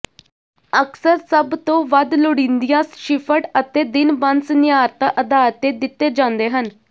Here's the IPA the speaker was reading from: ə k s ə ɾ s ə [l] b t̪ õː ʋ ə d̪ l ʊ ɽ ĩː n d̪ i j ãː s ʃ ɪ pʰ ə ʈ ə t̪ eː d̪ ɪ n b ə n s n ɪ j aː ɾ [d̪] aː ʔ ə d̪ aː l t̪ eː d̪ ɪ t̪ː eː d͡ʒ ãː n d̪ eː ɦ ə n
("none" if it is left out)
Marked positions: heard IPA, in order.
none, t̪

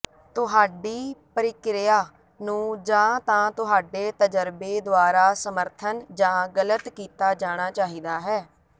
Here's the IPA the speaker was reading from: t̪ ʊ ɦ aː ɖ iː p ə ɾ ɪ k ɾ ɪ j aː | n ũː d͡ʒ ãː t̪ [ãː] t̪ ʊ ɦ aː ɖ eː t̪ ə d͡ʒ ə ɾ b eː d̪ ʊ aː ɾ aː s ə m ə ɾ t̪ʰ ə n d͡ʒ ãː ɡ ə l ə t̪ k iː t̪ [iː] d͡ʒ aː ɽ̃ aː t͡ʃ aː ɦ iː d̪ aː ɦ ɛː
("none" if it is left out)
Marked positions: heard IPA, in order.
ãː, aː

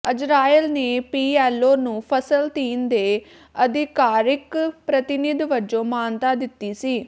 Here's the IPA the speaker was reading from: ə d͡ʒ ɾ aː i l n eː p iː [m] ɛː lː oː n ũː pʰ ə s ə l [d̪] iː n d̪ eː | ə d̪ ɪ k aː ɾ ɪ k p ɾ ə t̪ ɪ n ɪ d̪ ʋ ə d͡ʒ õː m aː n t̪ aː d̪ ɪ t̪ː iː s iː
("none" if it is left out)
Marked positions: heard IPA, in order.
none, t̪

